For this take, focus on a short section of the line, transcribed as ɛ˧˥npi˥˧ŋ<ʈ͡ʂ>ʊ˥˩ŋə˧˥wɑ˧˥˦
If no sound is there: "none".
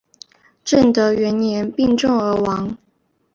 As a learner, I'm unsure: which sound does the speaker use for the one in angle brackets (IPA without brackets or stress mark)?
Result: ʈ͡ʂ